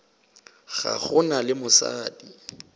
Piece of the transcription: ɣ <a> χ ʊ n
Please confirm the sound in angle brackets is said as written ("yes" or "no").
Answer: yes